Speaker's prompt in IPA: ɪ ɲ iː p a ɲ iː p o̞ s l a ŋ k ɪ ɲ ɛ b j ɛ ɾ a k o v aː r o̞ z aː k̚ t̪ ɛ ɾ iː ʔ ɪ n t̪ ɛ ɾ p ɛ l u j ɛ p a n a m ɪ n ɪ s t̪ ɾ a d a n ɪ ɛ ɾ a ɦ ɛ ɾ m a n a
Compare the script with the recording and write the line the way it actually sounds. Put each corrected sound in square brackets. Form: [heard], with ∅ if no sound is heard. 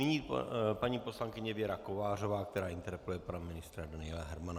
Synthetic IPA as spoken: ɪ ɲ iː p a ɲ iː p o̞ s l a ŋ k ɪ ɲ ɛ [v] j ɛ ɾ a k o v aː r o̞ [v] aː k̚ t̪ ɛ ɾ [aː] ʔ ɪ n t̪ ɛ ɾ p ɛ l u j ɛ p a n a m ɪ n ɪ s t̪ ɾ a d a n ɪ ɛ [l] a ɦ ɛ ɾ m a n a